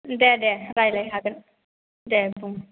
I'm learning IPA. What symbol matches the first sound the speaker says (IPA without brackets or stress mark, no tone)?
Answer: d